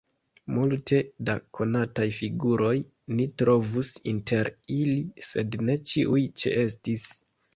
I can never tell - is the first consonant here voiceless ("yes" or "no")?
no